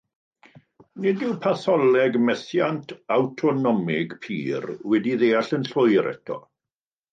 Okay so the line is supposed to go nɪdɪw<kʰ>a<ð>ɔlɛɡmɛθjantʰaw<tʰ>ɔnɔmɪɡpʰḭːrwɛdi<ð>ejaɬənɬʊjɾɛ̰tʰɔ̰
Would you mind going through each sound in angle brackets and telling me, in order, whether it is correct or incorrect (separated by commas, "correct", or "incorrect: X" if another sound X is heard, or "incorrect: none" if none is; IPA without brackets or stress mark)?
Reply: incorrect: pʰ, incorrect: θ, correct, correct